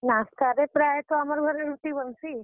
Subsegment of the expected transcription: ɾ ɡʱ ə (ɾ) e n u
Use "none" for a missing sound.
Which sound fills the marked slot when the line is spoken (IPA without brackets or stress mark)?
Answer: ɾ